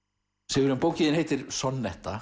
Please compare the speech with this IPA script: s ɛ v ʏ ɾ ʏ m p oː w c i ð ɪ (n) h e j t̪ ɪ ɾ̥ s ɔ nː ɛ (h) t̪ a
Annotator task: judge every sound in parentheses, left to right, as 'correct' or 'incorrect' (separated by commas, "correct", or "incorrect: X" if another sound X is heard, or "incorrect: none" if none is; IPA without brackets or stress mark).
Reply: correct, correct